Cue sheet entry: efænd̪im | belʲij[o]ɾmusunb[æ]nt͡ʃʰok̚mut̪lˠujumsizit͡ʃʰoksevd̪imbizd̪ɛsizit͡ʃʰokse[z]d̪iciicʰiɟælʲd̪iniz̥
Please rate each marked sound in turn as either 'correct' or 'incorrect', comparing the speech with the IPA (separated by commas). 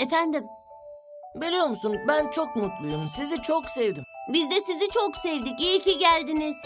correct, correct, incorrect